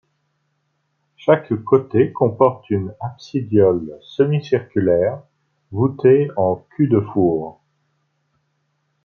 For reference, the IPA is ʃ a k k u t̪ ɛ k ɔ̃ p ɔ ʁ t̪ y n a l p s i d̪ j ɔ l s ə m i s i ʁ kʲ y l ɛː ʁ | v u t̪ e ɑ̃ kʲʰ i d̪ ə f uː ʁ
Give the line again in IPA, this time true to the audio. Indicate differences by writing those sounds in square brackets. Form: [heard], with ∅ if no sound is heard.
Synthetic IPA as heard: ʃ a k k [o] t̪ [e] k ɔ̃ p ɔ ʁ t̪ y n a [∅] p s i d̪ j ɔ l s ə m i s i ʁ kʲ y l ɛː ʁ | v u t̪ e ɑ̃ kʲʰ [y] d̪ ə f uː ʁ